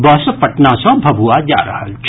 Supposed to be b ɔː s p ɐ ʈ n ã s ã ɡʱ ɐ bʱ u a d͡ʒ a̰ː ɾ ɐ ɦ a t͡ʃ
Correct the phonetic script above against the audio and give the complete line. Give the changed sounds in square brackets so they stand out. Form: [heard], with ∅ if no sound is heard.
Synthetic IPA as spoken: b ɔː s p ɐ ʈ n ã s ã [bʱ] ɐ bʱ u a d͡ʒ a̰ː ɾ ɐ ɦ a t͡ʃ